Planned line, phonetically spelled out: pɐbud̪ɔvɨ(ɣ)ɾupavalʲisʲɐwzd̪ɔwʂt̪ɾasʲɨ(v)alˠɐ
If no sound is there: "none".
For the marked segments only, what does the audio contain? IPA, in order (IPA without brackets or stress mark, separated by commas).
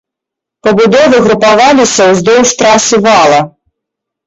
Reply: ɣ, v